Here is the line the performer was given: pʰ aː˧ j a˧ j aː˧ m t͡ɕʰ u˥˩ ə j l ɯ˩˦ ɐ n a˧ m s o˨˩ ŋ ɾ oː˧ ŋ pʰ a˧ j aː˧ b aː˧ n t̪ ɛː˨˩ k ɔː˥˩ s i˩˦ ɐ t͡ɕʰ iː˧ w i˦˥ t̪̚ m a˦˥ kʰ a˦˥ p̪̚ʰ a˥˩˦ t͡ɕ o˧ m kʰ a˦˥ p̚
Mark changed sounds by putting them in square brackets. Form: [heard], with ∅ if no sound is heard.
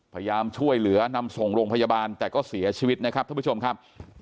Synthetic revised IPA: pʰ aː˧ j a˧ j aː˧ m t͡ɕʰ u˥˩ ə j l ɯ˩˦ ɐ n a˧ m s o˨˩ ŋ ɾ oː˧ ŋ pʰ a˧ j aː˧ b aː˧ n t̪ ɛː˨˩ k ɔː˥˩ s i˩˦ ɐ t͡ɕʰ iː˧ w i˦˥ t̪̚ [n] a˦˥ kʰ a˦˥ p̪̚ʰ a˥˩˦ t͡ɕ o˧ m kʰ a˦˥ p̚